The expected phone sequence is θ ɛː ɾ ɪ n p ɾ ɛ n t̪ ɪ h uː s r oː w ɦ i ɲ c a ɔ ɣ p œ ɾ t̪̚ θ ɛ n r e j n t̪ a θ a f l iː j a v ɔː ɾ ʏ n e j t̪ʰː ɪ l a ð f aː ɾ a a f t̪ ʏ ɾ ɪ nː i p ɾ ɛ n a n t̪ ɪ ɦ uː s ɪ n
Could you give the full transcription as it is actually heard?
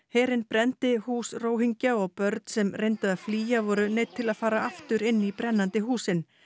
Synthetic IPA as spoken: h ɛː ɾ ɪ n p ɾ ɛ n t̪ ɪ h uː s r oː w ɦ i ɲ c a ɔ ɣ p œ ɾ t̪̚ s ɛ m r e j n t̪ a ð a f l iː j a v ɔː ɾ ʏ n e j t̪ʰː ɪ l a ð f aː ɾ a a f t̪ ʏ ɾ ɪ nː i p ɾ ɛ nː a n t̪ ɪ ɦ uː s ɪ n